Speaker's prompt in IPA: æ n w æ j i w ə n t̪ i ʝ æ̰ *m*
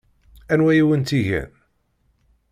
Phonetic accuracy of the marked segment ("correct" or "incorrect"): incorrect